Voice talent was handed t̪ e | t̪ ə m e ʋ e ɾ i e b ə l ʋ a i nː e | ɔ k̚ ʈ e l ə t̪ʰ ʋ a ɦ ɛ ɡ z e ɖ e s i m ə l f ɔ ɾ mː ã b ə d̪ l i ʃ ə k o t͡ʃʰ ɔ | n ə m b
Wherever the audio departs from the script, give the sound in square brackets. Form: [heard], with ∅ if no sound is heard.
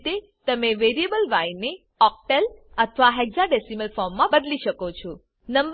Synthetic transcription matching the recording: t̪ e | t̪ ə m e ʋ e ɾ i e b ə l ʋ a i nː e | ɔ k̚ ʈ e l ə t̪ʰ ʋ a ɦ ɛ ɡ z [a] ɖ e s i m ə l f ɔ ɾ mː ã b ə d̪ l i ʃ ə k o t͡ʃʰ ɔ | n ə m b

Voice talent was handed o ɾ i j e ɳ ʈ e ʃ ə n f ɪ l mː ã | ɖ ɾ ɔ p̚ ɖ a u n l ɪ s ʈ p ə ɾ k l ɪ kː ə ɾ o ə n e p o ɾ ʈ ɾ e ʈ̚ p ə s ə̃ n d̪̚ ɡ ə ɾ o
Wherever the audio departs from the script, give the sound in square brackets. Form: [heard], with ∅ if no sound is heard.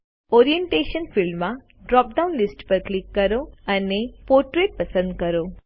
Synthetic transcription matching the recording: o ɾ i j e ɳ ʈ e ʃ ə n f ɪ l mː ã | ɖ ɾ ɔ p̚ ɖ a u n l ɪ s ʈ p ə ɾ k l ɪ kː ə ɾ o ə n e p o ɾ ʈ ɾ e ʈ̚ p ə s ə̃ n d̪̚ [k] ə ɾ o

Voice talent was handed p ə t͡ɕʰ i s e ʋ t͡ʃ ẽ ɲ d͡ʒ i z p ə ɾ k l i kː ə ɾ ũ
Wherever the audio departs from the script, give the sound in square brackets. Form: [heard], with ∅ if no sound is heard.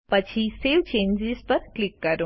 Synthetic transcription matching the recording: p ə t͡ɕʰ i s e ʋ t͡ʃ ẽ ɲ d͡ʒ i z p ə ɾ k l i kː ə ɾ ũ

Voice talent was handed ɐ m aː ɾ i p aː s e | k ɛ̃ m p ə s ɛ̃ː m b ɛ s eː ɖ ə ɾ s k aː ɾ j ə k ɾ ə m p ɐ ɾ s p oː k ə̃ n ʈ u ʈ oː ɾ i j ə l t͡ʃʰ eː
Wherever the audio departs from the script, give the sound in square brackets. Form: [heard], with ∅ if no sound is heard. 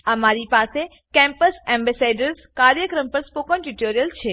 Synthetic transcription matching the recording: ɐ m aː ɾ i p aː s e | k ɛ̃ m p ə s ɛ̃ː m b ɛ s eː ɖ ə ɾ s k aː ɾ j ə k ɾ ə m p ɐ ɾ s p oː k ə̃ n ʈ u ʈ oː ɾ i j ə l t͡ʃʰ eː

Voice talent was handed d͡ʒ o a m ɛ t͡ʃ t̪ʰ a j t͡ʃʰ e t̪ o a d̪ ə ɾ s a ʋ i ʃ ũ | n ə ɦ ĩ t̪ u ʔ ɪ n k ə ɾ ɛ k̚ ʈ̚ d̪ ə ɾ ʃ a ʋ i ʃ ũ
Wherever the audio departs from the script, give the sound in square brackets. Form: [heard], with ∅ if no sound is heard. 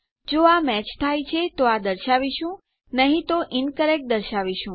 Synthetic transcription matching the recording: d͡ʒ o a m ɛ t͡ʃ t̪ʰ a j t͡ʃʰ e t̪ o a d̪ ə ɾ [ʃ] a ʋ i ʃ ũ | n ə ɦ ĩ t̪ [o] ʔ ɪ n k ə ɾ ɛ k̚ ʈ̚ d̪ ə ɾ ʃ a ʋ i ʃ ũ

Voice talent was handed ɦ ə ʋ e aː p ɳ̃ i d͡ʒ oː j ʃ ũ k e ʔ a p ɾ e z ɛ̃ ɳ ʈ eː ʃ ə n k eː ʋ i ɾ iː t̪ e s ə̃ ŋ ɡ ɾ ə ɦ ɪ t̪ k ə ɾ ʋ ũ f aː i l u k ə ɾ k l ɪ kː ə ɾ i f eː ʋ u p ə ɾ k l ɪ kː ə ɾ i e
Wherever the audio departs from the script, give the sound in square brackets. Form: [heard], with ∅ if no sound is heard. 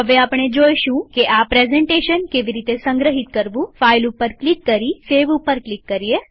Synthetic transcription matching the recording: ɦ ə ʋ e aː p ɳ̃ [e] d͡ʒ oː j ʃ ũ k e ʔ a p ɾ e z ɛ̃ ɳ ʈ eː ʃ ə n k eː ʋ i ɾ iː t̪ e s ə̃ ŋ ɡ ɾ ə ɦ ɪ t̪ k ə ɾ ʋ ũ f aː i l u [p] ə ɾ k l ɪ kː ə ɾ i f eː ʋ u p ə ɾ k l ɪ kː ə ɾ i e

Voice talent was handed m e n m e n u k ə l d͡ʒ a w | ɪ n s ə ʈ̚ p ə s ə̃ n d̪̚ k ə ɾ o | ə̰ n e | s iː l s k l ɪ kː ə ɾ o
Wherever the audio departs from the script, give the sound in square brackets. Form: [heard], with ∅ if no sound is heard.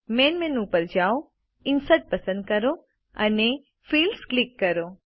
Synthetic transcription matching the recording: m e n m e n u [p] ə [ɾ] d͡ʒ a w | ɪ n s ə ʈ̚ p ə s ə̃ n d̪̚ k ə ɾ o | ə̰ n e | [f] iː l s k l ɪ kː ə ɾ o

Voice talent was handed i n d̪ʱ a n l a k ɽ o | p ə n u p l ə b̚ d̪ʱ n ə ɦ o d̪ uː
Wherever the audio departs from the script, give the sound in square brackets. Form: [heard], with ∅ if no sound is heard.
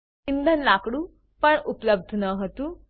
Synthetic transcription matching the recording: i n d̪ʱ [ə] n l a k ɽ [u] | p ə [ɳ] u p l ə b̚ d̪ʱ n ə ɦ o [t̪] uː

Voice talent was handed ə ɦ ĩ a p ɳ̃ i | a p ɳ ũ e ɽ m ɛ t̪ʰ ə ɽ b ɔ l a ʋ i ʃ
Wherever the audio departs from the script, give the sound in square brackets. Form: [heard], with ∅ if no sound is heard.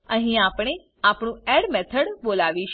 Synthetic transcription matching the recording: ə ɦ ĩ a p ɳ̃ [e] | a p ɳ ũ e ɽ m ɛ t̪ʰ ə ɽ b [o] l a ʋ i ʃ

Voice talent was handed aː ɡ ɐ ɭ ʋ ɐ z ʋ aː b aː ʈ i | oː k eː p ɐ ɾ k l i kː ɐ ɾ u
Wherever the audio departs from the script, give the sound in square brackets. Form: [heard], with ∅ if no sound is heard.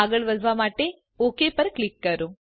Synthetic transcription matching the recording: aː ɡ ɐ ɭ ʋ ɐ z ʋ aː [m] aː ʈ [e] | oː k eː p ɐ ɾ k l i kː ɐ ɾ u

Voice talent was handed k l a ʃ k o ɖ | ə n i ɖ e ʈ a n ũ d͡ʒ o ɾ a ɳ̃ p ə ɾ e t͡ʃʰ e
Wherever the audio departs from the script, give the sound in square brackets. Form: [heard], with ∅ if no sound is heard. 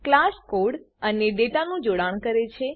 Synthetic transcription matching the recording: k l a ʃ k o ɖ | ə n [e] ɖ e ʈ a n ũ d͡ʒ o [ɽ] a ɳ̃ [k] ə ɾ e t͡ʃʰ e

